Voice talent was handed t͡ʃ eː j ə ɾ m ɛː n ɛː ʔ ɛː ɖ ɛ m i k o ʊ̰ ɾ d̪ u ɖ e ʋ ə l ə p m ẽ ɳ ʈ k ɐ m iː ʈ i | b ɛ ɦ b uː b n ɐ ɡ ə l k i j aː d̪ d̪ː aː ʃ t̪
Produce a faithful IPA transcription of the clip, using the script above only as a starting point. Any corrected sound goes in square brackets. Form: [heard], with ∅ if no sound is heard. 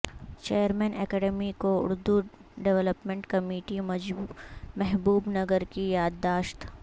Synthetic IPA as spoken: t͡ʃ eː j ə ɾ m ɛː n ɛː [k] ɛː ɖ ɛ m i k o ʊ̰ ɾ d̪ u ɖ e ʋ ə l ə p m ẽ ɳ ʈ k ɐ m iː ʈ i | [m] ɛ ɦ b uː b n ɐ ɡ ə [ɾ] k i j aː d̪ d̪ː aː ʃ t̪